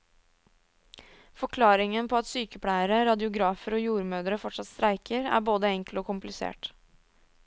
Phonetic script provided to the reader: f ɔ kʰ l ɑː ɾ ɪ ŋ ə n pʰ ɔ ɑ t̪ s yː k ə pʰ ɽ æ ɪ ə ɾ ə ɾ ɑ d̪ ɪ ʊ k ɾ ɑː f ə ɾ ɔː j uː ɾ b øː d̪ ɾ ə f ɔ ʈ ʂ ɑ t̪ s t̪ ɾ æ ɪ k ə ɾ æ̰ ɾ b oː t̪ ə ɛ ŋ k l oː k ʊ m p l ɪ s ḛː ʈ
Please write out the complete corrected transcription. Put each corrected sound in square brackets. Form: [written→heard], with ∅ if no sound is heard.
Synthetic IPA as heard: f ɔ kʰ l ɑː ɾ ɪ ŋ ə n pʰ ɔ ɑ t̪ s yː k ə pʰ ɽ æ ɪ ə ɾ ə ɾ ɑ d̪ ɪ ʊ [k→ɡ] ɾ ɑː f ə ɾ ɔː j uː ɾ [b→m] øː d̪ ɾ ə f ɔ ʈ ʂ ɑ t̪ s t̪ ɾ æ ɪ k ə ɾ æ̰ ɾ b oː [t̪→d̪] ə ɛ ŋ k l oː k ʊ m p l ɪ s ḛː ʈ